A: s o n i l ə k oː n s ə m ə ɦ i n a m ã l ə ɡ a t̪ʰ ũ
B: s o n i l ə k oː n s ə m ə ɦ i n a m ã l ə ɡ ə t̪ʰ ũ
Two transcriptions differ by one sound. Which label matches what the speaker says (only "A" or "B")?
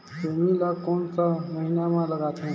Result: A